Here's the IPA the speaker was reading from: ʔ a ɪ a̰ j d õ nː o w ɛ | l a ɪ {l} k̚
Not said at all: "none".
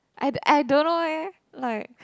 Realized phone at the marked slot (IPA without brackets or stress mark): none